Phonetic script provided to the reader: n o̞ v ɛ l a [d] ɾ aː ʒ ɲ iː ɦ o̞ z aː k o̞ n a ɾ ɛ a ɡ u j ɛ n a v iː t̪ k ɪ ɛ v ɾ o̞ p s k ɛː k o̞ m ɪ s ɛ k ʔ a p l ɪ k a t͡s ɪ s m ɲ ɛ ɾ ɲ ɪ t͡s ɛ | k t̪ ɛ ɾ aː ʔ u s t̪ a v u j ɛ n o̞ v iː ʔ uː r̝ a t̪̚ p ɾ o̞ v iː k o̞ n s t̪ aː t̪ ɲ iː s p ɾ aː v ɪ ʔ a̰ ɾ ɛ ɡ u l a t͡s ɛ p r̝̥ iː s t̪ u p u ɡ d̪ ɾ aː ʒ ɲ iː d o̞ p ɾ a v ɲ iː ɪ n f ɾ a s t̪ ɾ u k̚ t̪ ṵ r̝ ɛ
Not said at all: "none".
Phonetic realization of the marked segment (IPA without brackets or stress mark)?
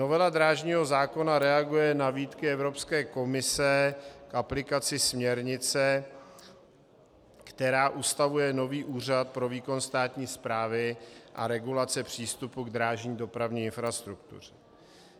d